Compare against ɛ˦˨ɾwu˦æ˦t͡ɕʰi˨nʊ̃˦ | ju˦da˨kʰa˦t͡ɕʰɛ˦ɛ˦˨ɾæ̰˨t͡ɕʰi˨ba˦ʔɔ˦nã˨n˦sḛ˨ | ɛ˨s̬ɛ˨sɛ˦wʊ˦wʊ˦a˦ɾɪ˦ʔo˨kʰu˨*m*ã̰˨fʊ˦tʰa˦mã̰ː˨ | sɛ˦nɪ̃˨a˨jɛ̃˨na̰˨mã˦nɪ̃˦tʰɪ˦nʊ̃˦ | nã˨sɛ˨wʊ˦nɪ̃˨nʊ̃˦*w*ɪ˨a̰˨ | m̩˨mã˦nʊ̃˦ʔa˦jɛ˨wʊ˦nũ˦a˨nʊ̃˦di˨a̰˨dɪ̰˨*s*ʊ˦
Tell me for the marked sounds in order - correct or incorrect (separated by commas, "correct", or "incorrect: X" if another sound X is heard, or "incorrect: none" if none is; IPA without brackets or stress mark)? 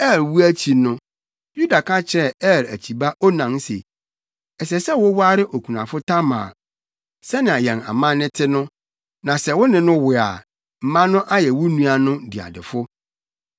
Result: incorrect: n, correct, incorrect: f